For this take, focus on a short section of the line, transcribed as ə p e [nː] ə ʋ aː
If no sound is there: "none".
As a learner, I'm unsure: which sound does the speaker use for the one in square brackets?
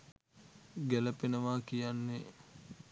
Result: n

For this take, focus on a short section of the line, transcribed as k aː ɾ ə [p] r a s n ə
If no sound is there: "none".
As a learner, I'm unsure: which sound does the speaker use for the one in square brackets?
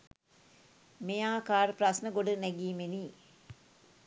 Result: p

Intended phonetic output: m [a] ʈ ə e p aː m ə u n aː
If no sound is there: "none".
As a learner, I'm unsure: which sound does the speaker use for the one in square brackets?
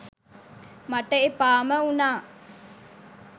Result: a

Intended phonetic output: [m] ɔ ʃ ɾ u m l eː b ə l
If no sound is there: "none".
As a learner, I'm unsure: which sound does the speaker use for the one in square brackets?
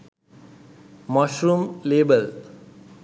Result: m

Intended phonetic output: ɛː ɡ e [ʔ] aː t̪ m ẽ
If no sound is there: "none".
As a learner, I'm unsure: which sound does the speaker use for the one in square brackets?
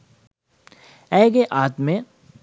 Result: ʔ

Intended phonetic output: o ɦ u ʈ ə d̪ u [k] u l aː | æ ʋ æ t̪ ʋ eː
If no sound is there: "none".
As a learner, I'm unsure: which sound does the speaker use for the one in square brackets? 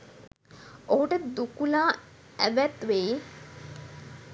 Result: k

